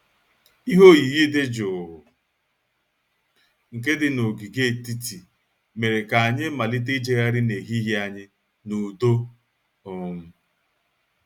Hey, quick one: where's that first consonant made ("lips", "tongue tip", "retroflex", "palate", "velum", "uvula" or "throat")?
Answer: throat